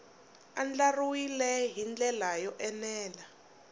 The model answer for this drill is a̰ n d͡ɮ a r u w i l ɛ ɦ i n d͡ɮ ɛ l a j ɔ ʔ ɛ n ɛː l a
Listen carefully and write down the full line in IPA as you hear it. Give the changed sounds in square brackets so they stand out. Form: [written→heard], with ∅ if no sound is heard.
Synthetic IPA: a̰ n d͡ɮ a r u w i l ɛ ɦ i n d͡ɮ ɛ l a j ɔ ʔ ɛ n ɛː l a